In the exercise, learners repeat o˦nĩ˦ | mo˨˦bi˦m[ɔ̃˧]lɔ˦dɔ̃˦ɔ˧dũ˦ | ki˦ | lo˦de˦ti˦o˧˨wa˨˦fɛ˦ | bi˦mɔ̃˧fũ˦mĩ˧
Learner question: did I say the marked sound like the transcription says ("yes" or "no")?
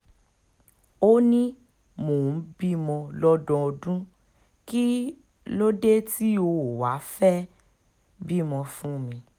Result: yes